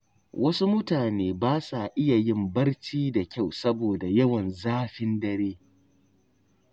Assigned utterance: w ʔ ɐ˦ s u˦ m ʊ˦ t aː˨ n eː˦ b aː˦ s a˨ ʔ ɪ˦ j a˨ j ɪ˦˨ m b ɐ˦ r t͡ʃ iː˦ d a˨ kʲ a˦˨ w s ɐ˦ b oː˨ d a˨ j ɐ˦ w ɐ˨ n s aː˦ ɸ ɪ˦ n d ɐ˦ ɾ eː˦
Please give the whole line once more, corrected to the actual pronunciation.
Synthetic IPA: w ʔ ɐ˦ s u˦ m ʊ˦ t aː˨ n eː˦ b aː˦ s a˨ ʔ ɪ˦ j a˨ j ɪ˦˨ m b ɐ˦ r t͡ʃ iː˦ d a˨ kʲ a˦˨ w s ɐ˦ b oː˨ d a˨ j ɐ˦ w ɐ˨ n z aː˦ ɸ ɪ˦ n d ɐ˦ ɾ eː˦